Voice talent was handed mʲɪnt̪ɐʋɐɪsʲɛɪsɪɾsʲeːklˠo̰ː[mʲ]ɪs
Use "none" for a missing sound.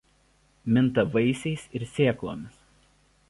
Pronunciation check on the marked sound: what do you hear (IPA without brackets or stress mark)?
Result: mʲ